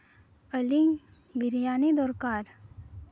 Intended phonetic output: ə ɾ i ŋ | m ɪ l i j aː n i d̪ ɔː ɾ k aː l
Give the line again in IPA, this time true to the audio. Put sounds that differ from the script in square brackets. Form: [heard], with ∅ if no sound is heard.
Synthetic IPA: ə [l] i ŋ | [b] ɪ [ɾ] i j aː n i d̪ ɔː ɾ k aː [ɾ]